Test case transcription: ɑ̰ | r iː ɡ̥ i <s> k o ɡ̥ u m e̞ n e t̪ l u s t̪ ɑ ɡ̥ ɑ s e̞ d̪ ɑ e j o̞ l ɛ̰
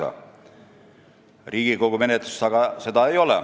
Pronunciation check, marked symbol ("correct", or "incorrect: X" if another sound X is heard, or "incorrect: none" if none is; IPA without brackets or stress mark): incorrect: none